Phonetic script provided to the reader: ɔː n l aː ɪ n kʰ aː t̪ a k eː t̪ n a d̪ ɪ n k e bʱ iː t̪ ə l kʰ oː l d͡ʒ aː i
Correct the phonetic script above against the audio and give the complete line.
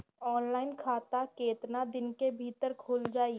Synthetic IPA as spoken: ɔː n l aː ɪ n kʰ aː t̪ a k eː t̪ n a d̪ ɪ n k e bʱ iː t̪ ə ɾ kʰ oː l d͡ʒ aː i